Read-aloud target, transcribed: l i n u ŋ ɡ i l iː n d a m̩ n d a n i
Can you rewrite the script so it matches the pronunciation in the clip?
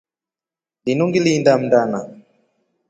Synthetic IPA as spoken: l i n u ŋ ɡ i l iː n d a m̩ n d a n a